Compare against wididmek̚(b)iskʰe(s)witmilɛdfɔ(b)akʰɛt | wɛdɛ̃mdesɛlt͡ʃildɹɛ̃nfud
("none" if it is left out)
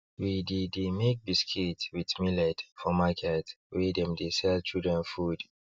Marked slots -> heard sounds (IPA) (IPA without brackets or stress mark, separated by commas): b, t, m